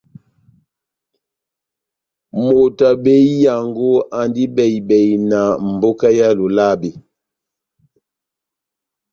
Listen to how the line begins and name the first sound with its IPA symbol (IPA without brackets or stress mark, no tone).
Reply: m